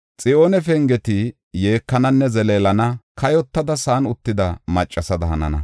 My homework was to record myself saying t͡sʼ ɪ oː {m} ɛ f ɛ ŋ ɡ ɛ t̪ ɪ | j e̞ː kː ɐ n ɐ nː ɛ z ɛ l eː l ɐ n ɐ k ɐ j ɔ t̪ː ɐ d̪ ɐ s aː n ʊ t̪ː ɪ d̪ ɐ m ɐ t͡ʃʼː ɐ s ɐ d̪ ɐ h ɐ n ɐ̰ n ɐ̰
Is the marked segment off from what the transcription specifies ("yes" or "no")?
yes